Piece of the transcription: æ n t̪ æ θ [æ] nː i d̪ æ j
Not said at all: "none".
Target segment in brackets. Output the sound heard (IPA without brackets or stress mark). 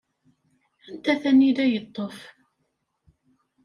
æ